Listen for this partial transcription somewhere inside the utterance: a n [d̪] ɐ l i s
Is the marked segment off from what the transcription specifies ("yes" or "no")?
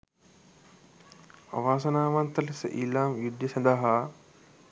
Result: yes